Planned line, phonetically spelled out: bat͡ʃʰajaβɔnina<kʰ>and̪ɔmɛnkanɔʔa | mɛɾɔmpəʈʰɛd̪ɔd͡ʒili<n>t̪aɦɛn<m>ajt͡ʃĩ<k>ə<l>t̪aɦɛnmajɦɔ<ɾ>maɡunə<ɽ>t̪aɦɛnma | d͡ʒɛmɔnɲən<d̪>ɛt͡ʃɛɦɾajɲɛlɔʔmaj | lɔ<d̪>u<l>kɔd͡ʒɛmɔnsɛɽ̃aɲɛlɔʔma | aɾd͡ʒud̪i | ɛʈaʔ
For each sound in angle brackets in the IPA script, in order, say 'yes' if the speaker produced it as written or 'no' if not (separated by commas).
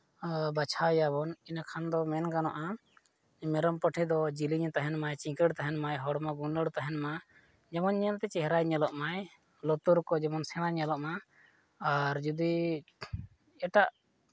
yes, no, yes, yes, no, no, yes, no, no, no